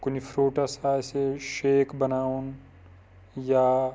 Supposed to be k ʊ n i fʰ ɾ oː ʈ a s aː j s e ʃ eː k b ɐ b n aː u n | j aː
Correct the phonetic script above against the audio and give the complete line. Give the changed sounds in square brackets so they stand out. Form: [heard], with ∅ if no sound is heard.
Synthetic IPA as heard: k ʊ n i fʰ ɾ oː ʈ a s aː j s e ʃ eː k b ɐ [∅] n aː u n | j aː